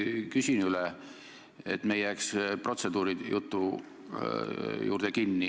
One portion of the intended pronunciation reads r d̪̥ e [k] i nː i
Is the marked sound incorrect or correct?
correct